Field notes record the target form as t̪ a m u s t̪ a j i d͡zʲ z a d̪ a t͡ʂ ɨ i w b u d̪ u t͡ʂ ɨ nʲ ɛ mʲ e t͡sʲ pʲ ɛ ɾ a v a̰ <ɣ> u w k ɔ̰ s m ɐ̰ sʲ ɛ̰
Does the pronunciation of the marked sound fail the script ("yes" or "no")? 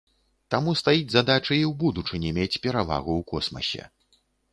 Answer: no